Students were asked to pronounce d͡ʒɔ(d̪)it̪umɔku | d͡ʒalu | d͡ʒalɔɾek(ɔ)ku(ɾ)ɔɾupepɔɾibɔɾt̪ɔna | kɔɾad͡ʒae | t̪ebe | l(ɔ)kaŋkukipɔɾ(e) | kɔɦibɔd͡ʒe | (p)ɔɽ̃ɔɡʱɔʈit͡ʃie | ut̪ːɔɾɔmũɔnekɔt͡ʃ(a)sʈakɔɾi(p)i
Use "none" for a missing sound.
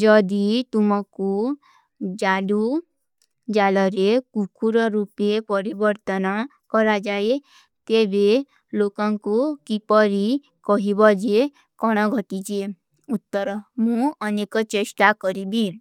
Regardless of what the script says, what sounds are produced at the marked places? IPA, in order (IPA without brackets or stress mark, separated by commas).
d̪, u, ɾ, o, i, k, e, b